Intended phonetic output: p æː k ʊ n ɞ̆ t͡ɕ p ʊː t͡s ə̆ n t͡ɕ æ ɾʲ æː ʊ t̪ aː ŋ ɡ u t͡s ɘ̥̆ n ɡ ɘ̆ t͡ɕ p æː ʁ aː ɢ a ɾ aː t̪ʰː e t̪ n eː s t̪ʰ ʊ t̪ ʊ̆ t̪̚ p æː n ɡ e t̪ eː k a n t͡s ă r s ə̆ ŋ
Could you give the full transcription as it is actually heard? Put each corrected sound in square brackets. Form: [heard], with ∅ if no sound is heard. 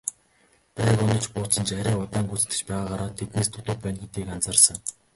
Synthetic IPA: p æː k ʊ n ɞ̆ t͡ɕ p ʊː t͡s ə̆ n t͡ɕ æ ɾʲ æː ʊ t̪ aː ŋ ɡ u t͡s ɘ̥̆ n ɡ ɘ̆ t͡ɕ p æː ʁ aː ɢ a ɾ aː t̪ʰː e t̪ n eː s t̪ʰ ʊ t̪ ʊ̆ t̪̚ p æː n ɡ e t̪ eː k a n t͡s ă r s ə̆ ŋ